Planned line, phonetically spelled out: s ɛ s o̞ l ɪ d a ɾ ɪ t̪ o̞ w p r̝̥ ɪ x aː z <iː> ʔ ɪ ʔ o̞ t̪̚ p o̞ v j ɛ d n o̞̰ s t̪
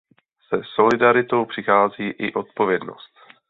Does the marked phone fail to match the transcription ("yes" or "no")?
no